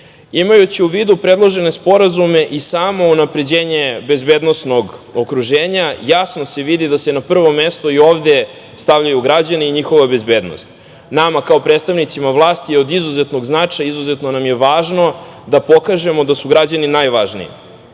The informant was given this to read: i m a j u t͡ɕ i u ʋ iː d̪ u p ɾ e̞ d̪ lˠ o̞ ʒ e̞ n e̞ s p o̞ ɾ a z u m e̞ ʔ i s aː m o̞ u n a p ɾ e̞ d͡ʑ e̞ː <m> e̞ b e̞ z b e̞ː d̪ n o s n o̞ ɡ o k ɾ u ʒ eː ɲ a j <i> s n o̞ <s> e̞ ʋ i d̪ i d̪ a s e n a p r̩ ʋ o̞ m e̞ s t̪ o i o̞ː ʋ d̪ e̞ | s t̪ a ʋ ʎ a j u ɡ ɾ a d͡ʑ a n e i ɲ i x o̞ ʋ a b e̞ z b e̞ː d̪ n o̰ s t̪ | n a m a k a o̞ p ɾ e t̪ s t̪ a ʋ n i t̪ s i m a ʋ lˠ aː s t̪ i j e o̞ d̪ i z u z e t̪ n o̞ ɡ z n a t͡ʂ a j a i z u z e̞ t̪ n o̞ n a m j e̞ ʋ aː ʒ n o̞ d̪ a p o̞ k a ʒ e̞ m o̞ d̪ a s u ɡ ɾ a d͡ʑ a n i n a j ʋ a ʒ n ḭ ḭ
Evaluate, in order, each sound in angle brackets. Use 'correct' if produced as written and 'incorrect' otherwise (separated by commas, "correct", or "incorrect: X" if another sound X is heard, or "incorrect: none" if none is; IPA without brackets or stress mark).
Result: incorrect: ɲ, incorrect: a, correct